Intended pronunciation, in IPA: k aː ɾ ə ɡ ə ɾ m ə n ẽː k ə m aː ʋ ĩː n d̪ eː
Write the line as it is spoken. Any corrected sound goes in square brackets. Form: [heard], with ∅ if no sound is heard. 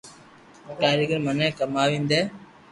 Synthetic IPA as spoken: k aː ɾ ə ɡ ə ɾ m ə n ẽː k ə m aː ʋ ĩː n d̪ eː